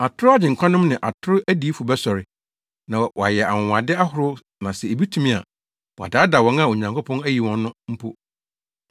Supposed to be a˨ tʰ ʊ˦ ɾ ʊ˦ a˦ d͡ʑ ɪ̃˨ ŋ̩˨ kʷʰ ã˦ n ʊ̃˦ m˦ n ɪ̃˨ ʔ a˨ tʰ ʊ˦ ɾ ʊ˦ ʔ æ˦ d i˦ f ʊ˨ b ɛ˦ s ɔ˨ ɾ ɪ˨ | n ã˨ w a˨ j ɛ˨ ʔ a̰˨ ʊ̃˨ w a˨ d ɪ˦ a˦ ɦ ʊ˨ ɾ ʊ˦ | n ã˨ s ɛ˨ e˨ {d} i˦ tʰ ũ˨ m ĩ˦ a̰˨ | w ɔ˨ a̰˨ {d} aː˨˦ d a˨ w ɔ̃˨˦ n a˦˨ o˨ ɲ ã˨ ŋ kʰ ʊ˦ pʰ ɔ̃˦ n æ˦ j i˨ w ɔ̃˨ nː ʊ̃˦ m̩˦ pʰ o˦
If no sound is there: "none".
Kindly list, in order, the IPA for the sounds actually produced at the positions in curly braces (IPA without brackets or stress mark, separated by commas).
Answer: b, d